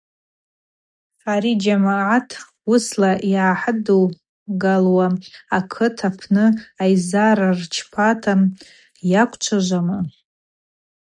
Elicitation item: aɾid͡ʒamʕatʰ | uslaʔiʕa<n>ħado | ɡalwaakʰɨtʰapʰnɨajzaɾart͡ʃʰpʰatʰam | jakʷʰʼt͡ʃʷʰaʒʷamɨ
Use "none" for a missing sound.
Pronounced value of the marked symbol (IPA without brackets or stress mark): none